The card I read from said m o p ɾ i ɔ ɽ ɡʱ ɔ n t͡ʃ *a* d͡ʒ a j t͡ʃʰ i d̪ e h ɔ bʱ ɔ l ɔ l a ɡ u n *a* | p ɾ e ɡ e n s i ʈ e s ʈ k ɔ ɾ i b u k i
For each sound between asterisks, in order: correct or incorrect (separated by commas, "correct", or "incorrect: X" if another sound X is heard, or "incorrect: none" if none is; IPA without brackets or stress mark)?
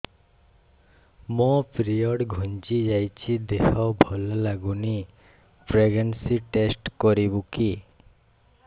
incorrect: i, incorrect: i